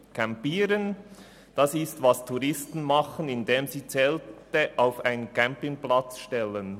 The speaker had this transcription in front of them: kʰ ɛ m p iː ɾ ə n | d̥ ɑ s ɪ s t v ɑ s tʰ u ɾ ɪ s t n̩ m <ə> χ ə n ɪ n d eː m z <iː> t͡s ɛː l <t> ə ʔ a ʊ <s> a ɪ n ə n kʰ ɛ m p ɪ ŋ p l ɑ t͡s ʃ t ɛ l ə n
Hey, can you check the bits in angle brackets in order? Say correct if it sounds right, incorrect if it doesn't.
incorrect: ɑ, correct, correct, incorrect: f

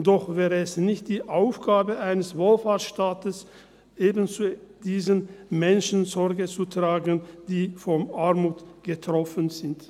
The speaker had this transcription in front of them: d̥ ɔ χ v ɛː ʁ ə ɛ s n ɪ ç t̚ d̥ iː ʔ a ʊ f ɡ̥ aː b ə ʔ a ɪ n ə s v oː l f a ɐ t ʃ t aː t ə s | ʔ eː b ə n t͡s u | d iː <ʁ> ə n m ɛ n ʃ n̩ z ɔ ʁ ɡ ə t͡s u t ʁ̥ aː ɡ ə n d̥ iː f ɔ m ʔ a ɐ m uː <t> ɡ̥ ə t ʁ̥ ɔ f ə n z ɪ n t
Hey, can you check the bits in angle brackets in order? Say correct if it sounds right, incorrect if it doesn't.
incorrect: z, correct

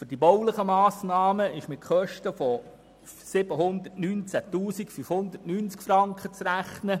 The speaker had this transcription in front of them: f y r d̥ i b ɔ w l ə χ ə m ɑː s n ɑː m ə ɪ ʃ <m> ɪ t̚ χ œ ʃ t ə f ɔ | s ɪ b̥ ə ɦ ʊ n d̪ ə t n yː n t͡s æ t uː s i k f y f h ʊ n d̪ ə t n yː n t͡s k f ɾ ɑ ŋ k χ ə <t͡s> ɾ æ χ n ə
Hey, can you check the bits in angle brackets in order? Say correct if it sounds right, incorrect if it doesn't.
correct, correct

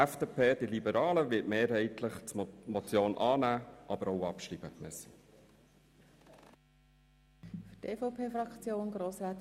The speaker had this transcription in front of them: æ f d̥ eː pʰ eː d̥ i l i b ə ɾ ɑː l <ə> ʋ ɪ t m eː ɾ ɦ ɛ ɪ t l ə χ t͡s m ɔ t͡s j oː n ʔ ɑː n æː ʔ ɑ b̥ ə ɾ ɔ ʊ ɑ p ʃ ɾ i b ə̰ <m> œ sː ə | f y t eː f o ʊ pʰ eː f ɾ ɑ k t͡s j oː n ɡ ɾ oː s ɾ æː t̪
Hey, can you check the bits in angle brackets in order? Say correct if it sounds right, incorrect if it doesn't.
correct, correct

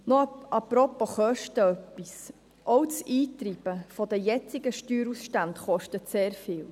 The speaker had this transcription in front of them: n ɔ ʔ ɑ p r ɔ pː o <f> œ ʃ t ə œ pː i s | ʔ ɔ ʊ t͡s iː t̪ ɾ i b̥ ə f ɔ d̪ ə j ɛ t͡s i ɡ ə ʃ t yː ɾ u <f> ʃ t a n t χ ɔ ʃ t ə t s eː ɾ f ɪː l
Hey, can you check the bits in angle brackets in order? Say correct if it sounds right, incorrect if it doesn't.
incorrect: χ, incorrect: s

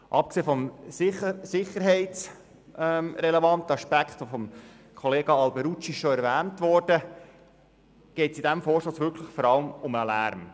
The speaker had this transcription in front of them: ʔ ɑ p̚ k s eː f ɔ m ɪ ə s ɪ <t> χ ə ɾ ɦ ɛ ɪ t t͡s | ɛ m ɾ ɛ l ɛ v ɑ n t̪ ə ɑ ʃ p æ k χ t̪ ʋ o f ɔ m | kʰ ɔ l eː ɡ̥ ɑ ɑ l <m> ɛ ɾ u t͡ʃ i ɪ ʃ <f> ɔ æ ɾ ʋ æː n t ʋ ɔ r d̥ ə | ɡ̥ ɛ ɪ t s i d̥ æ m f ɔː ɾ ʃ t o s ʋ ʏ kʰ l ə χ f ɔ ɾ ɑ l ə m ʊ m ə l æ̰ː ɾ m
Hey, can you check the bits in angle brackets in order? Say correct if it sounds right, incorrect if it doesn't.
incorrect: none, incorrect: b, incorrect: ʃ

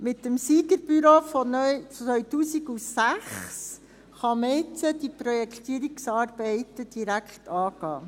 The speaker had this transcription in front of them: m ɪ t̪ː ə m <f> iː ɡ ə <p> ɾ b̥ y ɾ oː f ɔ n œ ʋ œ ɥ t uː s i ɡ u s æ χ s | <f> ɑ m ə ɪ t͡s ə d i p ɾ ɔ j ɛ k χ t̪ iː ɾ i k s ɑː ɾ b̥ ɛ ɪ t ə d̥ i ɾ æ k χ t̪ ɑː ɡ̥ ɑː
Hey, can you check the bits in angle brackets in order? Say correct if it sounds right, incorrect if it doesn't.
incorrect: s, incorrect: none, incorrect: χ

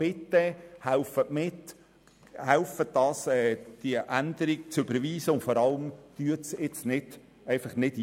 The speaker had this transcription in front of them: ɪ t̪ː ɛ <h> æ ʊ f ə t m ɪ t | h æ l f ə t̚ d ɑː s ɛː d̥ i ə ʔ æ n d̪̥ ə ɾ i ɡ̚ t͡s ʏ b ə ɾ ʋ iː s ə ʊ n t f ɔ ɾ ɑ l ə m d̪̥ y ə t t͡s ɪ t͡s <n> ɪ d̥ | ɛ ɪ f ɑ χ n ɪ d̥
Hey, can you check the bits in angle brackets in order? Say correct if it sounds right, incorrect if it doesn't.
correct, correct

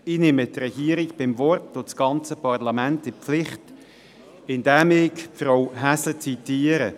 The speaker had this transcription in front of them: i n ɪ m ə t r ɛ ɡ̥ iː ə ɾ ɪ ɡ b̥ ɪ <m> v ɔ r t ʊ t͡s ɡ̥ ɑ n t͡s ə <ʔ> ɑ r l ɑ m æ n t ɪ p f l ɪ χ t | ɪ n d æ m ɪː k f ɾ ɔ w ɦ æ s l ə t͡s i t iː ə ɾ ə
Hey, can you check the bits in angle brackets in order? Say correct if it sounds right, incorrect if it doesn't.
correct, incorrect: p

